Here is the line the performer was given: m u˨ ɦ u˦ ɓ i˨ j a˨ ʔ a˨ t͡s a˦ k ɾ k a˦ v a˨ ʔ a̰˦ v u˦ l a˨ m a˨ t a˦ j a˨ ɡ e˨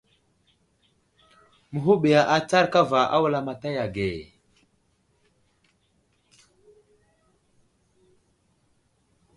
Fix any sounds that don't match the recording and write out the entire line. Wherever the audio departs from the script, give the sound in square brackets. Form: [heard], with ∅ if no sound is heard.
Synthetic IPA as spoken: m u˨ ɦ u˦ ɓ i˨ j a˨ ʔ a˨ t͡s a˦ [∅] ɾ k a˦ v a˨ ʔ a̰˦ [w] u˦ l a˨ m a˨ t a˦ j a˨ ɡ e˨